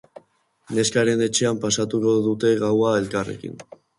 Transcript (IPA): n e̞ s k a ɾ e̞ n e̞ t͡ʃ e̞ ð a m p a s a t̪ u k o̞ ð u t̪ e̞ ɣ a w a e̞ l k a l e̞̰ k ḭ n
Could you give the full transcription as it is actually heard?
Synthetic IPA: n e̞ s k a ɾ e̞ n e̞ t͡ʃ e̞ a m p a s a t̪ u k o̞ ð u t̪ e̞ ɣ a w a e̞ l k a r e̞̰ k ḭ n

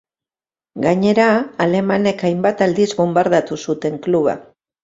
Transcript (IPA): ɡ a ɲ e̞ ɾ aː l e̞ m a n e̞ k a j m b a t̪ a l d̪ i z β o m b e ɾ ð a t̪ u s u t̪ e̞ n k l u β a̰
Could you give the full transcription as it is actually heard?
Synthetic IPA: ɡ a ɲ e̞ ɾ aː l e̞ m a n e̞ k a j m b a t̪ a l d̪ i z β o m b a ɾ ð a t̪ u s u t̪ e̞ ŋ k l u β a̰

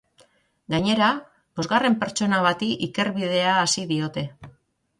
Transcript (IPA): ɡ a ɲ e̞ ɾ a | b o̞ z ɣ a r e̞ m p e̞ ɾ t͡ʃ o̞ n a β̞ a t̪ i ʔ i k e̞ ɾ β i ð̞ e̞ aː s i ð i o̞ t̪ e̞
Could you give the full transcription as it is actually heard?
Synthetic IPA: ɡ a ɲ e̞ ɾ a | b o̞ z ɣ a r e̞ m p e̞ ɾ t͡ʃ o̞ n a β̞ a t̪ i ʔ i k e̞ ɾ β i ð̞ e̞ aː s i ð i o̞ t̪ e̞

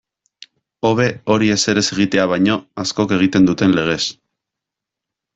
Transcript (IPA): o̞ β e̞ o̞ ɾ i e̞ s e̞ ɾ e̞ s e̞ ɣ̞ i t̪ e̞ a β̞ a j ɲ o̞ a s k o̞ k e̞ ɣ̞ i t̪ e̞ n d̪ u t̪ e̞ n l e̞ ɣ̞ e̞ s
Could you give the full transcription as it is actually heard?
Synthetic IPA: o̞ β e̞ o̞ ɾ i e̞ s e̞ ɾ e̞ s e̞ ɣ̞ i t̪ e̞ a β̞ a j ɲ o̞ a s k o̞ k e̞ ɣ̞ i t̪ e̞ n d̪ u t̪ e̞ n l e̞ ɣ̞ e̞ s

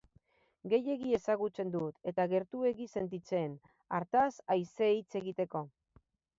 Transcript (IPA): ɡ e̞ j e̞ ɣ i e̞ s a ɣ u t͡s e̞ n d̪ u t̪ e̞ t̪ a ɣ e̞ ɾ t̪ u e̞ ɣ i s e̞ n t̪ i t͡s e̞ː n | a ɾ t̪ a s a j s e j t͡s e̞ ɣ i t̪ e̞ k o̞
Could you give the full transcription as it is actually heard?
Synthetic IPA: ɡ e̞ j e̞ ɣ i e̞ s a ɣ u t͡s e̞ n d̪ u t̪ e̞ t̪ a ɣ e̞ ɾ t̪ u e̞ ɣ i s e̞ n t̪ i t͡s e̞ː n | a ɾ t̪ a s a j s e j t͡s e̞ ɣ i t̪ e̞ k o̞

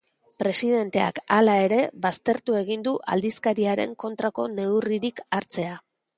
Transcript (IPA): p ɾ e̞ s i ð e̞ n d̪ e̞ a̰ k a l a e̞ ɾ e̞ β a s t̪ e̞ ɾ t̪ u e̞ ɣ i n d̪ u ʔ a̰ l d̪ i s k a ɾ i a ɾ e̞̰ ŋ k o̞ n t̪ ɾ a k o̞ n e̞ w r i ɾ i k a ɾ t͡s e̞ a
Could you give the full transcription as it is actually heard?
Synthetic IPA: p ɾ e̞ s i ð e̞ n t̪ e̞ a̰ k a l a e̞ ɾ e̞ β a s t̪ e̞ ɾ t̪ u e̞ ɣ i n d̪ u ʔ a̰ l d̪ i s k a ɾ i a ɾ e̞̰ ŋ k o̞ n t̪ ɾ a k o̞ n e̞ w r i ɾ i k a ɾ t͡s e̞ a

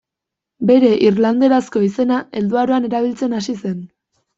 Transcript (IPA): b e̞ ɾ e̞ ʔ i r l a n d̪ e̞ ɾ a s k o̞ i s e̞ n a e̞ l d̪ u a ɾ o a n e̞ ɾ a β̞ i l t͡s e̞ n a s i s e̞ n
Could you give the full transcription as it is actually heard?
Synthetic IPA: b e̞ ɾ e̞ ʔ i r l a n d̪ e̞ ɾ a s k o̞ i s e̞ n a e̞ l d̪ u a ɾ o a n e̞ ɾ a β̞ i l t͡s e̞ n a s i s e̞ n

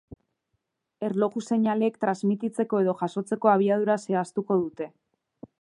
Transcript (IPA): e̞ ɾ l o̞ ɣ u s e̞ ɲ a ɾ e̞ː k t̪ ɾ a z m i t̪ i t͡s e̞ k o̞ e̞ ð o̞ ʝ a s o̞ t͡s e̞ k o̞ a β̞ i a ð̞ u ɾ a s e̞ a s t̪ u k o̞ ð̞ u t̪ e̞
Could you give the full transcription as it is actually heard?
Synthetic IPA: e̞ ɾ l o̞ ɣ u s e̞ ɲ a l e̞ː k t̪ ɾ a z m i t̪ i t͡s e̞ k o̞ e̞ ð o̞ ʝ a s o̞ t͡s e̞ k o̞ a β̞ i a ð̞ u ɾ a s e̞ a s t̪ u k o̞ ð̞ u t̪ e̞

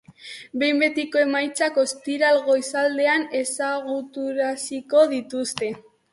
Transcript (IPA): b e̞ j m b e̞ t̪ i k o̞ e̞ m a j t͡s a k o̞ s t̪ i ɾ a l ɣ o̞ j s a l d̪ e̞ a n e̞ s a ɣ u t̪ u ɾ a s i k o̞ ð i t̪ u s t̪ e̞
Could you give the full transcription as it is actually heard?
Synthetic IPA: b e̞ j m b e̞ t̪ i k o̞ e̞ m a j t͡s a k o̞ s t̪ i ɾ a l ɣ o̞ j s a l d̪ e̞ a n e̞ s a ɣ u t̪ u ɾ a s i k o̞ ð i t̪ u s t̪ e̞

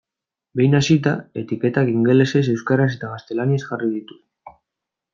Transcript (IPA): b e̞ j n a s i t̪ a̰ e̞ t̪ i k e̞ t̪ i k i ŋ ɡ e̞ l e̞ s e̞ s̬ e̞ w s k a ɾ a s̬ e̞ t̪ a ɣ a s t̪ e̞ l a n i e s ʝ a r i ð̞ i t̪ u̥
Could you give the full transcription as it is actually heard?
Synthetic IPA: b e̞ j n a s i t̪ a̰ e̞ t̪ i k e̞ t̪ a k i ŋ ɡ e̞ l e̞ s e̞ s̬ e̞ w s k a ɾ a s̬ e̞ t̪ a ɣ a s t̪ e̞ l a n i e s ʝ a r i ð̞ i t̪ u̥

